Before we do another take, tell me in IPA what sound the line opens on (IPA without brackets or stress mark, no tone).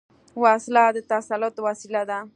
w